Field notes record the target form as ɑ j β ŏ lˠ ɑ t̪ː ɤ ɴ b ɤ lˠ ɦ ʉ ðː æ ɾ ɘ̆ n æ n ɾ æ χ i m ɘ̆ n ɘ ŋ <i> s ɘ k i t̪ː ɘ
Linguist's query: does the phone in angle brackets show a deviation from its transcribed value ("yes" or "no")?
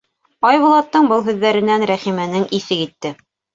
no